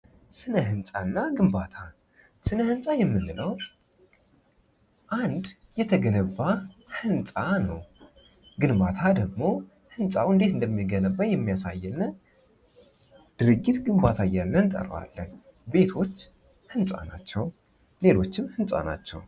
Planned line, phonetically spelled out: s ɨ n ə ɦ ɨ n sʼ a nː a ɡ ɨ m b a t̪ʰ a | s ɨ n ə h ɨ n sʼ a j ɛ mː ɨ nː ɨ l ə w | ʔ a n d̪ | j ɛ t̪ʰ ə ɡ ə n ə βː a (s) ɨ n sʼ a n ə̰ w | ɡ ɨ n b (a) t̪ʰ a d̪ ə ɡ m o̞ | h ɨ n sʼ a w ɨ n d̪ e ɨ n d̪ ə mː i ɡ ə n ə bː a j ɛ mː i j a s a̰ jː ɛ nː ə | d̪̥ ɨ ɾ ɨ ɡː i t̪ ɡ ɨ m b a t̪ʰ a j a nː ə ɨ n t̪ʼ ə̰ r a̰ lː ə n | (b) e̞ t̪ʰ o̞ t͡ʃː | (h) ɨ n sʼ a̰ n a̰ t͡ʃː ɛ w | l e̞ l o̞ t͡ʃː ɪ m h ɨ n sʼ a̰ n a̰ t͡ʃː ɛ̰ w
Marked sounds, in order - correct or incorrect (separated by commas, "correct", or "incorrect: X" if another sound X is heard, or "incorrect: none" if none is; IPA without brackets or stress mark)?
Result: incorrect: h, correct, correct, correct